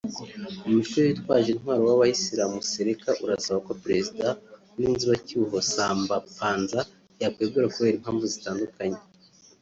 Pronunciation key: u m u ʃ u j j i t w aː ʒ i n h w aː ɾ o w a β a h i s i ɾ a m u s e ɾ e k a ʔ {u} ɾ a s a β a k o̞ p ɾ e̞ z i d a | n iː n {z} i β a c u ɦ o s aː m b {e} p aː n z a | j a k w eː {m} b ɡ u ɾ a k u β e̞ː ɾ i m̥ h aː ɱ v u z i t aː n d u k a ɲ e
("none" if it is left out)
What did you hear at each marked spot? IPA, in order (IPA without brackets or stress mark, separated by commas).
u, z, a, none